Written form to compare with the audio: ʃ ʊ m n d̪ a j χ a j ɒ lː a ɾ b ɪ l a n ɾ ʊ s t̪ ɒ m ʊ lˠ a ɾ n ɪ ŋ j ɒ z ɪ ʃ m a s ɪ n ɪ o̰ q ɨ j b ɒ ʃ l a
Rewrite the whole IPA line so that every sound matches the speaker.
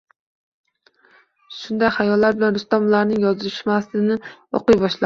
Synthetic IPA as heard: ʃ ʊ n d̪ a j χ a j ɒ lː a ɾ b ɪ l a n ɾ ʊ s t̪ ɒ m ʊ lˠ a ɾ n ɪ ŋ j ɒ z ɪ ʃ m a s ɪ n ɪ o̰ q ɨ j b ɒ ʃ l a